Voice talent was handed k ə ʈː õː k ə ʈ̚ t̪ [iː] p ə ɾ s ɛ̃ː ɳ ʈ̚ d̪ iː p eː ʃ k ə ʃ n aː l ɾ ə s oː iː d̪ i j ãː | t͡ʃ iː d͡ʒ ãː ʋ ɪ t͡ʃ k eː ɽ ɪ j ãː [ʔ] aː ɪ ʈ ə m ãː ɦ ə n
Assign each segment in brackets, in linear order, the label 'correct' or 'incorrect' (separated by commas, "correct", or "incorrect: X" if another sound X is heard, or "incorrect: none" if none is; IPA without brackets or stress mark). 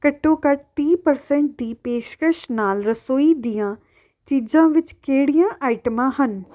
correct, correct